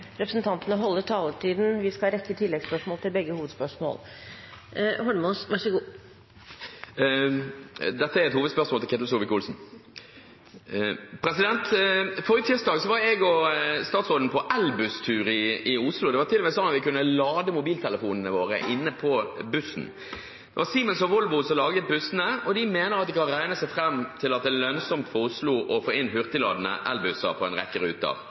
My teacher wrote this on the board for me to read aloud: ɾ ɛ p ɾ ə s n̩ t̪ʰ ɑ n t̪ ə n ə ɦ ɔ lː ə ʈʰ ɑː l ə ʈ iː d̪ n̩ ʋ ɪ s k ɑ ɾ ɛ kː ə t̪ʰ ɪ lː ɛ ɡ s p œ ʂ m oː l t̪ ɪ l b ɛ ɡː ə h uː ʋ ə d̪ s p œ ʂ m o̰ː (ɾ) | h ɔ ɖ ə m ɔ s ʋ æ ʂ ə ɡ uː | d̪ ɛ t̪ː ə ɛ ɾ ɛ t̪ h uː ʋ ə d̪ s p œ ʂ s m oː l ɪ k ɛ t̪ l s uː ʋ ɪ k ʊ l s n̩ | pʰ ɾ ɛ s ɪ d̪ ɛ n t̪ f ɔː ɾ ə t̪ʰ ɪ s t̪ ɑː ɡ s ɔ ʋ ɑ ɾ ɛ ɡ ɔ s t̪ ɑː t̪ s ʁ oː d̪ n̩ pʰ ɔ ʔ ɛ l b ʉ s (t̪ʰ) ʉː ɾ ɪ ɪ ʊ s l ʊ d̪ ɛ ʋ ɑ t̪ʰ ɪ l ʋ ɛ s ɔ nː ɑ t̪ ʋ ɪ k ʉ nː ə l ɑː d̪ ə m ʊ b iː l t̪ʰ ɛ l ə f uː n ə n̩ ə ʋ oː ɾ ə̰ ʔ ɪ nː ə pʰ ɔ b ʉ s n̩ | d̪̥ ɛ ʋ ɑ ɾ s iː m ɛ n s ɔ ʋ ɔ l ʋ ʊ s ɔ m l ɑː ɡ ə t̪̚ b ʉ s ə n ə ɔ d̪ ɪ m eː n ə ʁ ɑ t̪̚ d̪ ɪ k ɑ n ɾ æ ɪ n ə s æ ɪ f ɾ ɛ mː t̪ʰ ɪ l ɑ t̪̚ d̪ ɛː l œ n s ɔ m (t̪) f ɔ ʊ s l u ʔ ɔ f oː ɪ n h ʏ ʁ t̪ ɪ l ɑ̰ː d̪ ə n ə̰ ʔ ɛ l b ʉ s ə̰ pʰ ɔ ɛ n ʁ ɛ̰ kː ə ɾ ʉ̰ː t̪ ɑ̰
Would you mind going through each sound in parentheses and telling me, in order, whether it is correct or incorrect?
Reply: incorrect: l, correct, correct

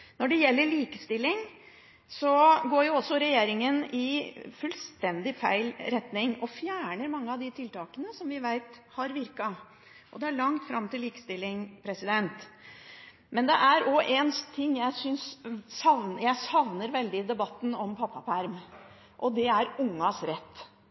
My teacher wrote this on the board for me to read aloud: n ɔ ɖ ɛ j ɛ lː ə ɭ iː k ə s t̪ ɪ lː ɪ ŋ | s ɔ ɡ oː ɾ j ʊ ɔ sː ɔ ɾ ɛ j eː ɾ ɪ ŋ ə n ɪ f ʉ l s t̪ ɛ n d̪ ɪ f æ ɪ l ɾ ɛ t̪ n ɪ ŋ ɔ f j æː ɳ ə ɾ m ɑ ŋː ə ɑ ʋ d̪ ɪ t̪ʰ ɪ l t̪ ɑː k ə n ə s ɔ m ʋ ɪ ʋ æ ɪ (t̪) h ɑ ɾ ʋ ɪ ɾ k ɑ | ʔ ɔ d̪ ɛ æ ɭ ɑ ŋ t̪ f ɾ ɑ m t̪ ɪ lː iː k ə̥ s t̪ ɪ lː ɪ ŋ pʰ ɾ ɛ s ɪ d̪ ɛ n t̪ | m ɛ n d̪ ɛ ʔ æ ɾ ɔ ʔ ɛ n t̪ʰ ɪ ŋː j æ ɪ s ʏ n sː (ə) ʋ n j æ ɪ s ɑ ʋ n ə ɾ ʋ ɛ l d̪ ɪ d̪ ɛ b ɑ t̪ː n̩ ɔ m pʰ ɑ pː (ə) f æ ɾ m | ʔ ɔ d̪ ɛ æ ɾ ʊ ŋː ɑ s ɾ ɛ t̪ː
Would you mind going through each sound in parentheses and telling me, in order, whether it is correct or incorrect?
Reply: correct, incorrect: ɑ, incorrect: ɑ

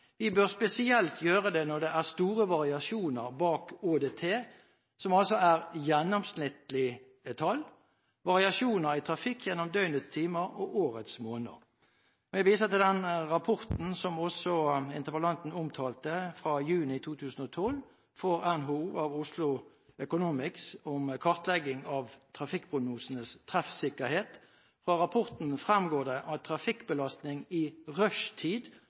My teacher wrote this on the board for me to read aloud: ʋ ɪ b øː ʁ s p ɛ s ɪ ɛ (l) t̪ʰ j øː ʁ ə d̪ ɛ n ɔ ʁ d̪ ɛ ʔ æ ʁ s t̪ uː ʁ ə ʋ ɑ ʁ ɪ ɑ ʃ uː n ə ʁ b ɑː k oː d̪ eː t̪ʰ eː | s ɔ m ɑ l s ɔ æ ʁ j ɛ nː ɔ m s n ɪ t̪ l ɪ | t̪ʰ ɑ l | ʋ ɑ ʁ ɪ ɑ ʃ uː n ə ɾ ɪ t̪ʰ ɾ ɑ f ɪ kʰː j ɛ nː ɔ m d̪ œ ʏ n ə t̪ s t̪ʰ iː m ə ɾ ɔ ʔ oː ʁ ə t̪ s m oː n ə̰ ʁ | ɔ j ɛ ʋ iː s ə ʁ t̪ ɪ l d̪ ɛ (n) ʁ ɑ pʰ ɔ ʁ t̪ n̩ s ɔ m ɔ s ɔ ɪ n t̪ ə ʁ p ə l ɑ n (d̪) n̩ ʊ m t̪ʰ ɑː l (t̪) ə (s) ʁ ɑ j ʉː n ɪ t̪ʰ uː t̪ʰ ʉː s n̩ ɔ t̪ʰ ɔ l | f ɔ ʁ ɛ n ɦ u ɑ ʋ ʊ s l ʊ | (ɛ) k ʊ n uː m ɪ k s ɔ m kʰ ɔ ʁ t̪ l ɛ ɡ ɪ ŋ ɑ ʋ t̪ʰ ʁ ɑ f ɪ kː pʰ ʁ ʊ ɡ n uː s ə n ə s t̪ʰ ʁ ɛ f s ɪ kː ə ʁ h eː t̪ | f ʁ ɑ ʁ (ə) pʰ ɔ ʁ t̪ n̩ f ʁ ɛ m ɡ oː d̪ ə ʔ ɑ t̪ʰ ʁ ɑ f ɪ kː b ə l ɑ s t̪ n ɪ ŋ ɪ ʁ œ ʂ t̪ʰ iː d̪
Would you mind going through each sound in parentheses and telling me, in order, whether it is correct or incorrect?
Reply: correct, correct, incorrect: t̪, correct, incorrect: f, incorrect: œ, incorrect: ɑ

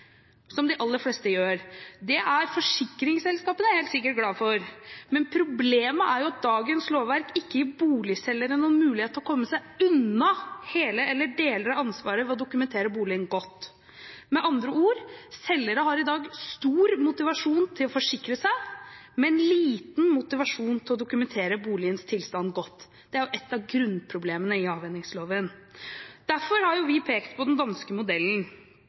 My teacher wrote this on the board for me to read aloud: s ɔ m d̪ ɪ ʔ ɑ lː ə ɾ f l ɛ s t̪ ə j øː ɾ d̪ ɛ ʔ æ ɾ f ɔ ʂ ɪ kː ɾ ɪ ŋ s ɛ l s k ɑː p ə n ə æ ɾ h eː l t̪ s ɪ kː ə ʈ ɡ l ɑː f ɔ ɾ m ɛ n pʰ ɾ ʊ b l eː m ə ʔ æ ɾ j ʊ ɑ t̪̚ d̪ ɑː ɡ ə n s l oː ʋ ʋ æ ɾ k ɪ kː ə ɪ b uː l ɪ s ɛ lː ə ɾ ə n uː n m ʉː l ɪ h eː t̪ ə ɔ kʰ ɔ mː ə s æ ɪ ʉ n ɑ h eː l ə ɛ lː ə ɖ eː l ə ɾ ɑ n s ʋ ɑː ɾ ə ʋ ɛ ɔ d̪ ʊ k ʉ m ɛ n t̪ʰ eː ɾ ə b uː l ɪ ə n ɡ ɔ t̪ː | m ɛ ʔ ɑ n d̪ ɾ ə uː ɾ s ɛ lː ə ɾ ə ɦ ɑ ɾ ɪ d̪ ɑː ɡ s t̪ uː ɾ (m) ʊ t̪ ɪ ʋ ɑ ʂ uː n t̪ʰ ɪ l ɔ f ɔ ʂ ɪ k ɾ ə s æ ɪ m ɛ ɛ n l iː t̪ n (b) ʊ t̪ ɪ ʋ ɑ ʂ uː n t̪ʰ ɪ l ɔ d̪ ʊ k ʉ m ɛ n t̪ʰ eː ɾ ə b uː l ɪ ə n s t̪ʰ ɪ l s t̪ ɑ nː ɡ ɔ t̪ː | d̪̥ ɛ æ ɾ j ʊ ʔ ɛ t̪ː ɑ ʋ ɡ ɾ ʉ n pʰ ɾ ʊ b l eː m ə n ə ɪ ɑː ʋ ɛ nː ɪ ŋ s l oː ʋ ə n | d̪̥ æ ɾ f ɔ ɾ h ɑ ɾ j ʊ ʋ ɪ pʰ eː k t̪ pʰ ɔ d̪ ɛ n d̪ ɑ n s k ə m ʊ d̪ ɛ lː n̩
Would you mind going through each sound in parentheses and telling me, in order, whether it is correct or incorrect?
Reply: correct, incorrect: m

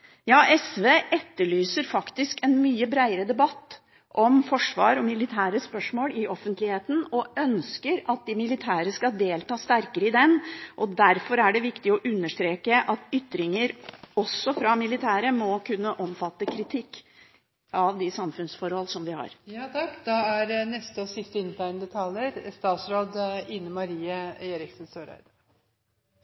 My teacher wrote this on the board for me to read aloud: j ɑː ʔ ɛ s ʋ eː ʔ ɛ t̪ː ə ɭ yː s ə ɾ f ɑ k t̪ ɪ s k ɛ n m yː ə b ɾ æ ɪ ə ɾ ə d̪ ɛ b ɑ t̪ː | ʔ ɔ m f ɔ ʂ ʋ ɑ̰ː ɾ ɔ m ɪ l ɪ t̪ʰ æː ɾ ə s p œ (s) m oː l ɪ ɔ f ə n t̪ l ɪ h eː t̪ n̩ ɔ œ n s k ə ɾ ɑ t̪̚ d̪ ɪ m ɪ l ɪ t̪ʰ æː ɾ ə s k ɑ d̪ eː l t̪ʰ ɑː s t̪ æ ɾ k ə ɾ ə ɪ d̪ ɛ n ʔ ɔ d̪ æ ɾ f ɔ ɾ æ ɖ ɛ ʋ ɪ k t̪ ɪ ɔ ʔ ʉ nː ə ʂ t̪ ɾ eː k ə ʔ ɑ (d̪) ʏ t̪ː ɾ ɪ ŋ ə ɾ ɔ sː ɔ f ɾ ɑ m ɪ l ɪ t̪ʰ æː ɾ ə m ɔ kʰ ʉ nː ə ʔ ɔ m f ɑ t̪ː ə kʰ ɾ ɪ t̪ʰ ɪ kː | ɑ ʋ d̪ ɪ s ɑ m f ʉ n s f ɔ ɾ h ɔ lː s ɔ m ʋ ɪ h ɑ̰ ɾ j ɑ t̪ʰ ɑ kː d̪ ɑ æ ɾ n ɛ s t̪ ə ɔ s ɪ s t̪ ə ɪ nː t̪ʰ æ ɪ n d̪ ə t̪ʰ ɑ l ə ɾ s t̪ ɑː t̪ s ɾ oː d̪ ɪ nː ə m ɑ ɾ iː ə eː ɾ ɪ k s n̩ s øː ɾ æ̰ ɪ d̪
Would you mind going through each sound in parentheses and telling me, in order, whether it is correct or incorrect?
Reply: incorrect: ʂ, incorrect: t̪

